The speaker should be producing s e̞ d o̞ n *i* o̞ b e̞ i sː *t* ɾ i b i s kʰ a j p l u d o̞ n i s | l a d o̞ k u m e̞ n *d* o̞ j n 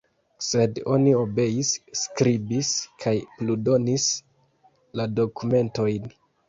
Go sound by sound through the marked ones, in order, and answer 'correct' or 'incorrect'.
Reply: correct, incorrect: k, incorrect: t

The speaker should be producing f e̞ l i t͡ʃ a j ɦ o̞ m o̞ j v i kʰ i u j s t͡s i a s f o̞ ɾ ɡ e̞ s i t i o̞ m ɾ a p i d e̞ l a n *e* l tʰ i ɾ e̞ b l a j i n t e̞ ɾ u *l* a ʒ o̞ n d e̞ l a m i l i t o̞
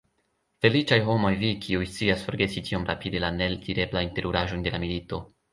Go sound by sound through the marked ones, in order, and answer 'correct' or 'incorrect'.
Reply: correct, incorrect: ɾ

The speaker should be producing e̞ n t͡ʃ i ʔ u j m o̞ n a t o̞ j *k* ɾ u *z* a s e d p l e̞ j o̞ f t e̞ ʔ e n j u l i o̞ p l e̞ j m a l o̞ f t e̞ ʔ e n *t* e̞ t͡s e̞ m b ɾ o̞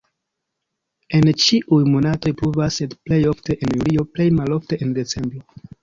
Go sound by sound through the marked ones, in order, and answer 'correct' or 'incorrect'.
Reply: incorrect: p, incorrect: v, incorrect: d

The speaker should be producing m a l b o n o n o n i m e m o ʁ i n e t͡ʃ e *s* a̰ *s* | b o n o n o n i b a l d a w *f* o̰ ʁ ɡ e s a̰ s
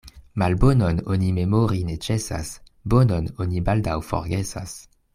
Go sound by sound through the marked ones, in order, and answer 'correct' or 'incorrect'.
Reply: correct, correct, correct

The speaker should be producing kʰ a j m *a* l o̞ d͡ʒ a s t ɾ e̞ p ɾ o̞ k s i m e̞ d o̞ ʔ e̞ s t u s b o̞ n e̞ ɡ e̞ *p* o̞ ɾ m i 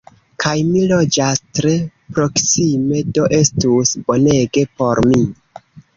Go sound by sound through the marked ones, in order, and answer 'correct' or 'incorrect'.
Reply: incorrect: i, correct

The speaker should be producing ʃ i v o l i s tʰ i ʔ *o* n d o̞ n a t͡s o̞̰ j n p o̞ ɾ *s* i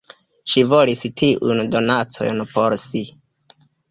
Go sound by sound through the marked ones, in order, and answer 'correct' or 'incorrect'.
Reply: incorrect: u, correct

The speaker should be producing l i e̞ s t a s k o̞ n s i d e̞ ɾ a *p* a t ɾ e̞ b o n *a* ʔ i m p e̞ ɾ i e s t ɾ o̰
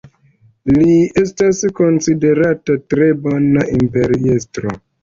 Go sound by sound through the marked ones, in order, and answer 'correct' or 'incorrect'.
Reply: incorrect: t, correct

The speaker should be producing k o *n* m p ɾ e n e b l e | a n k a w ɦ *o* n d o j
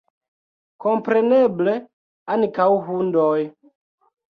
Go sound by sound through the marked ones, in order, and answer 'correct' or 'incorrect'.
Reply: incorrect: none, incorrect: u

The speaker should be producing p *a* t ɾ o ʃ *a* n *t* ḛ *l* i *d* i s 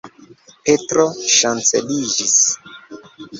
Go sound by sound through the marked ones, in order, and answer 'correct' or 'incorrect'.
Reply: incorrect: e, correct, incorrect: t͡s, correct, incorrect: d͡ʒ

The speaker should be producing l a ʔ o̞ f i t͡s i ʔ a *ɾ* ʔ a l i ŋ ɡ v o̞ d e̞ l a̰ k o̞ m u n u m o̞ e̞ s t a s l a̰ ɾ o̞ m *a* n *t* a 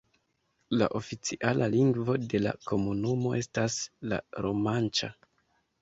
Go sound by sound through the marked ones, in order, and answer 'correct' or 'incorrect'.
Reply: incorrect: l, correct, incorrect: t͡ʃ

